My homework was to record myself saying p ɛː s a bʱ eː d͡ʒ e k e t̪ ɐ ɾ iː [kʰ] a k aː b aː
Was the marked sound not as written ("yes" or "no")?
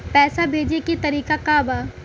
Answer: yes